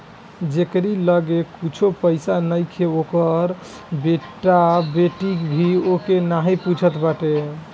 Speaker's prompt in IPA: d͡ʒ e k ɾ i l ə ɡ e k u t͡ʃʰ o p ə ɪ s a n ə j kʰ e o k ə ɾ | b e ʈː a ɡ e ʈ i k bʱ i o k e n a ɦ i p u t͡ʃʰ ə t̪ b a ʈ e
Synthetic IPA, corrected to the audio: d͡ʒ e k ɾ i l ə ɡ e k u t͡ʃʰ o p ə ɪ s a n ə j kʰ e o k ə ɾ | b e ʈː a b e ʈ i k bʱ i o k e n a ɦ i p u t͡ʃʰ ə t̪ b a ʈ e

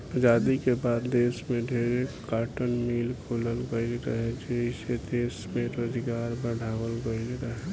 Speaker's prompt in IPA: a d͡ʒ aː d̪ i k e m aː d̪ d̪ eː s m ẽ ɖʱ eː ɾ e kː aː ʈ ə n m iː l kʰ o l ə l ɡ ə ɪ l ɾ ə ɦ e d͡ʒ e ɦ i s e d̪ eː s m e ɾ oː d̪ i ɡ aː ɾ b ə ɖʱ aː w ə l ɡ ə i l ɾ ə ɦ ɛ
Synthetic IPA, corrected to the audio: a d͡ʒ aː d̪ i k e b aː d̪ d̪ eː s m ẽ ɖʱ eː ɾ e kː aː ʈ ə n m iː l kʰ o l ə l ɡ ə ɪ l ɾ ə ɦ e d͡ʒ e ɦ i s e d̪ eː s m e ɾ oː d̪ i ɡ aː ɾ b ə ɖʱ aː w ə l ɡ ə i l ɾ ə ɦ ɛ

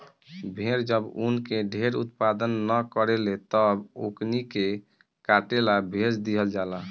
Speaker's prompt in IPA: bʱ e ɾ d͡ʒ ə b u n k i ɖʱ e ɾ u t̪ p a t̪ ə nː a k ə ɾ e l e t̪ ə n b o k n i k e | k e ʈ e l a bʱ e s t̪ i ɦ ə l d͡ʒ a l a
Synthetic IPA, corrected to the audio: bʱ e ɾ d͡ʒ ə b u n k e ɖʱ e ɾ u t̪ p a d̪ ə nː ə k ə ɾ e l e t̪ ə b o k n i k e | k a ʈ e l a bʱ e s d̪ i ɦ ə l d͡ʒ a l a

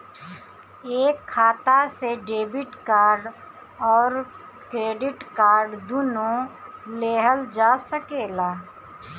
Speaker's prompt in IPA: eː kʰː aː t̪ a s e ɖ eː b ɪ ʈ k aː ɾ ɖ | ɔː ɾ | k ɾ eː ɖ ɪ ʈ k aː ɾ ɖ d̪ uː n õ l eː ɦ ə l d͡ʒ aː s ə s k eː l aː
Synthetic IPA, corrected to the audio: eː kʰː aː t̪ a s e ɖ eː b ɪ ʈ k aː ɾ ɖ | ɔː ɾ | k ɾ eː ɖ ɪ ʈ k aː ɾ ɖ d̪ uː n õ l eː ɦ ə l d͡ʒ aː s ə k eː l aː

